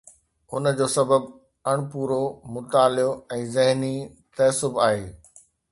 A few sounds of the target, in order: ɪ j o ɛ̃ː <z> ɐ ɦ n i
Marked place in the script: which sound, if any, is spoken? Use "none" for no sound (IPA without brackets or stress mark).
z